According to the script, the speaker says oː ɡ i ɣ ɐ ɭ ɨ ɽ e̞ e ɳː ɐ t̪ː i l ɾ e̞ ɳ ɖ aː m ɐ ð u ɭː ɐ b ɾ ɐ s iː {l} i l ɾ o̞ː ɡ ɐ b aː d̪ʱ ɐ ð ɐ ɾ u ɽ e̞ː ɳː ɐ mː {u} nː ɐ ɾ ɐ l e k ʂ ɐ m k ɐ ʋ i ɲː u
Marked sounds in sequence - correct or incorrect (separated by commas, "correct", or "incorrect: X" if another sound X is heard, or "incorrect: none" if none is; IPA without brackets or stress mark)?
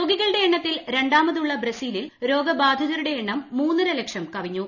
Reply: correct, incorrect: uː